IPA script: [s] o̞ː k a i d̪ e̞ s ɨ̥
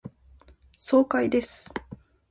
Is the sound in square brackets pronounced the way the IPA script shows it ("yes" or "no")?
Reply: yes